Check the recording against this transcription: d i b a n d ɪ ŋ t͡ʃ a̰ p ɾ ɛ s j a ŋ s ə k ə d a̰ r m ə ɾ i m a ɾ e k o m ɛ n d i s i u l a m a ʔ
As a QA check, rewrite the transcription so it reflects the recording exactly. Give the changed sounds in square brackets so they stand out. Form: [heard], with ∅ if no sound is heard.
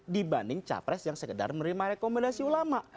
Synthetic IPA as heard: d i b a n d ɪ ŋ t͡ʃ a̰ p ɾ ɛ s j a ŋ s ə k ə d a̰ r m ə ɾ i m a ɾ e k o m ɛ n d [a] s i u l a m a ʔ